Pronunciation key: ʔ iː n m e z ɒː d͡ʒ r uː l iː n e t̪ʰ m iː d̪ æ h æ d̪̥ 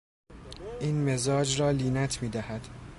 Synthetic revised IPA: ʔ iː n m e z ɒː d͡ʒ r ɒː l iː n æ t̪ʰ m iː d̪ æ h æ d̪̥